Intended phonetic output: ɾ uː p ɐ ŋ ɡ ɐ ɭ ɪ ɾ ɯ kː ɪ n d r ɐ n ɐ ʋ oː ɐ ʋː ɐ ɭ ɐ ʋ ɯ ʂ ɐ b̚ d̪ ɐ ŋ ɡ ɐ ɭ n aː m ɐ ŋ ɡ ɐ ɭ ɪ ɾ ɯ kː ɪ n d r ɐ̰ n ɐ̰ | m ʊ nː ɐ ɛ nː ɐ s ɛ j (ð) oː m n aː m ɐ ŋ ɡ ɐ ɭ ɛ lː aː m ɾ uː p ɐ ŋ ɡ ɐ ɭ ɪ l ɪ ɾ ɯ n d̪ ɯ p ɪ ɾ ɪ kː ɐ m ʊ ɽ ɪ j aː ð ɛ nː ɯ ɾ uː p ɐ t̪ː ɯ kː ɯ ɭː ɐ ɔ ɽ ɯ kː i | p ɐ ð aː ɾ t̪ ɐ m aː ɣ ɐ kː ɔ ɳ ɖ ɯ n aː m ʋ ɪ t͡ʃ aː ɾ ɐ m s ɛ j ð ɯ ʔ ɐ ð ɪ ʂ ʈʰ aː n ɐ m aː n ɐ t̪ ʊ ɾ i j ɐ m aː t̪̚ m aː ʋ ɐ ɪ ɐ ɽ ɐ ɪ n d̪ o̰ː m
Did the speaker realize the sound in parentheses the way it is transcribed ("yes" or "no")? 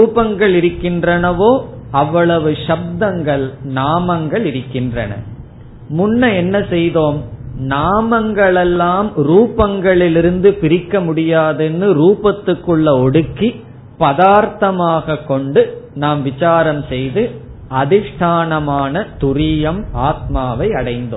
yes